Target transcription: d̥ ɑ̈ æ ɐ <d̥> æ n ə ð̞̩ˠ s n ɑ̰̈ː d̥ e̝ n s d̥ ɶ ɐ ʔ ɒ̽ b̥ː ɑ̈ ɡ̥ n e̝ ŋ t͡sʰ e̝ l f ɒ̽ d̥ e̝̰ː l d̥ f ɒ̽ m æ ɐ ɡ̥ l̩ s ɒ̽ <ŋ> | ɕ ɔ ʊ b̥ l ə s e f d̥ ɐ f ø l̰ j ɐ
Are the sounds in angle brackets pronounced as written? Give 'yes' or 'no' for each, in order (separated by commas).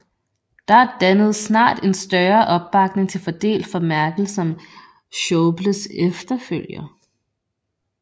yes, no